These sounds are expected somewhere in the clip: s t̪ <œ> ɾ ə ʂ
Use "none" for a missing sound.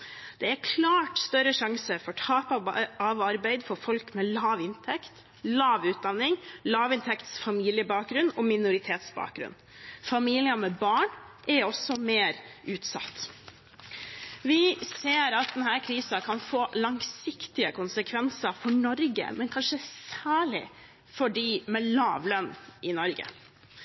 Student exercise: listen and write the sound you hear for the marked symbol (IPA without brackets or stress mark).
œ